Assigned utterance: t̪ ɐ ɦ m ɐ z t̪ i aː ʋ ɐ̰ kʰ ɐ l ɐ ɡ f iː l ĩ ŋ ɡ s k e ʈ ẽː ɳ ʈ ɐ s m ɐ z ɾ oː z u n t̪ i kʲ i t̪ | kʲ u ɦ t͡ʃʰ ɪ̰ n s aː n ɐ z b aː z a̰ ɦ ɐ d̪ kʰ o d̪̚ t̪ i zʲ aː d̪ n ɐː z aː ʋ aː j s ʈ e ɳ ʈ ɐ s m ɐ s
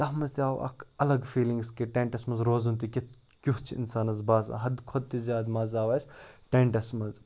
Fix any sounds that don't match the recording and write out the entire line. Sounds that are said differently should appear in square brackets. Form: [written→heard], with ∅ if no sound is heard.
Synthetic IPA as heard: t̪ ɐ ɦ m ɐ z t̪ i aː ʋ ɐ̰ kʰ ɐ l ɐ ɡ f iː l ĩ ŋ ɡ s k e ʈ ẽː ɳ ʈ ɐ s m ɐ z ɾ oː z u n t̪ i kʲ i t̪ | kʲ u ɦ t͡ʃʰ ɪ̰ n s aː n ɐ z b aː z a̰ ɦ ɐ d̪ kʰ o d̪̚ t̪ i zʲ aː d̪ [n→m] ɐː z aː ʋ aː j s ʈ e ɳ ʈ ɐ s m ɐ [s→z]

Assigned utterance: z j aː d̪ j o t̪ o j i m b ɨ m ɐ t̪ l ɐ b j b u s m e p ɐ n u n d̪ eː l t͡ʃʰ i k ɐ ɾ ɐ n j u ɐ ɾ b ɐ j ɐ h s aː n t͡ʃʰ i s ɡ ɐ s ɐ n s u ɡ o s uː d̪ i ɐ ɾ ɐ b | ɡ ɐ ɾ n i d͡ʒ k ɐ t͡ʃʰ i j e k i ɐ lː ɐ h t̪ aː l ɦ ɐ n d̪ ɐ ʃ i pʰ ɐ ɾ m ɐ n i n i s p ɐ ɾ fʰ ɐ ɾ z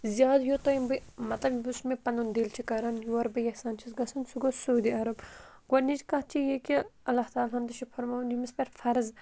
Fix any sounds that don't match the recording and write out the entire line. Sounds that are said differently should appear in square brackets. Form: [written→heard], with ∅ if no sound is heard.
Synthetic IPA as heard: z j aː d̪ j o t̪ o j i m b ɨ m ɐ t̪ l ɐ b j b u s m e p ɐ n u n d̪ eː l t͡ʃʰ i k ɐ ɾ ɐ n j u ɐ ɾ b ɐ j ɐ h s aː n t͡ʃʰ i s ɡ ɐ s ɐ n s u ɡ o s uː d̪ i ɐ ɾ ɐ b | ɡ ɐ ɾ n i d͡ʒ k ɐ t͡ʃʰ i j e k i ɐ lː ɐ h t̪ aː l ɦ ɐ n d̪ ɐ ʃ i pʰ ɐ ɾ m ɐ n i [n→m] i s p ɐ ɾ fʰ ɐ ɾ z

